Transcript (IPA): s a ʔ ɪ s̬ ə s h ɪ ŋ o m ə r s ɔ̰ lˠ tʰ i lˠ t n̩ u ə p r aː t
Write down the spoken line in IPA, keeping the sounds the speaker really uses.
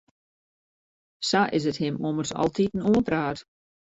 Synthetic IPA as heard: s a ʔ ɪ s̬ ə t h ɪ m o m ə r s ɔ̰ lˠ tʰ i t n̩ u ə p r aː t